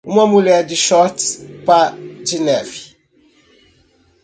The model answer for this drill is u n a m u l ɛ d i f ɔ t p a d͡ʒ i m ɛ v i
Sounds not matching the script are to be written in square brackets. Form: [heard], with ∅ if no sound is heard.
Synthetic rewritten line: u [m] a m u l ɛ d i [ʃ] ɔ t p a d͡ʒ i [n] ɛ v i